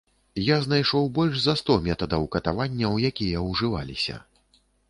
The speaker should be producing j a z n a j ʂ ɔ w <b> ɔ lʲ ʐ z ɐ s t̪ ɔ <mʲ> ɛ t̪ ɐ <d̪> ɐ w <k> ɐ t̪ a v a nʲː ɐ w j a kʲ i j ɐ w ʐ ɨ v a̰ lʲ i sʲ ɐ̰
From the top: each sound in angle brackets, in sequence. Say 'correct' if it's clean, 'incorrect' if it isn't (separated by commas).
correct, correct, correct, correct